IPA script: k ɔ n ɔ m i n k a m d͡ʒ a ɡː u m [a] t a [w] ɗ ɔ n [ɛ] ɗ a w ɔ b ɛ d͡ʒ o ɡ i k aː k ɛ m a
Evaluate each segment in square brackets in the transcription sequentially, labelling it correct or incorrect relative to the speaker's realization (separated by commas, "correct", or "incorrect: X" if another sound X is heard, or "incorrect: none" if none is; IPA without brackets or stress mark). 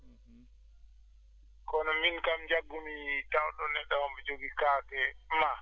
incorrect: i, correct, correct